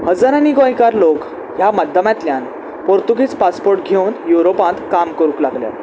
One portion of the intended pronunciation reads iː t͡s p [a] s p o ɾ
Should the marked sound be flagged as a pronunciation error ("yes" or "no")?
no